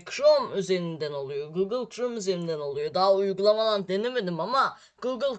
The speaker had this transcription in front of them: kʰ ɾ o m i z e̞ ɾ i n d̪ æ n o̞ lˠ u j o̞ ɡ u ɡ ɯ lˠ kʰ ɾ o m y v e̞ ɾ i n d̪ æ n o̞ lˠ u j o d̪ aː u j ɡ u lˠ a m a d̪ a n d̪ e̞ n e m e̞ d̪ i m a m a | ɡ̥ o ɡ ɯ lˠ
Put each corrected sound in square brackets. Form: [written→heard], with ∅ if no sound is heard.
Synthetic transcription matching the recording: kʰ ɾ o m [i→y] z e̞ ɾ i n d̪ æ n o̞ lˠ u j o̞ ɡ u ɡ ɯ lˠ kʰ ɾ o m y [v→z] e̞ ɾ i n d̪ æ n o̞ lˠ u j o d̪ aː u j ɡ u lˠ a m a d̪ a n d̪ e̞ n e m e̞ d̪ i m a m a | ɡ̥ [o→u] ɡ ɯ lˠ